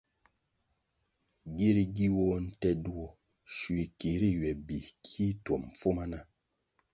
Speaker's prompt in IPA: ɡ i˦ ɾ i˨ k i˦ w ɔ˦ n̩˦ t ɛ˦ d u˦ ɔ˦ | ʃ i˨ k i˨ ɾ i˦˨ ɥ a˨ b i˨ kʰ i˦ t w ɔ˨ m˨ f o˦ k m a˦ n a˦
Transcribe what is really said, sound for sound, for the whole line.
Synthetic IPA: ɡ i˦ ɾ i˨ ɡ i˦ w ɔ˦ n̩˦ t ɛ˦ d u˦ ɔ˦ | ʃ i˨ k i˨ ɾ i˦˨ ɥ ɛ˨ b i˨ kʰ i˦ t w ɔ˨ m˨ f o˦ m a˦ n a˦